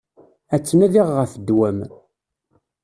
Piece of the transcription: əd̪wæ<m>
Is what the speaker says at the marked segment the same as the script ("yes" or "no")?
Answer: yes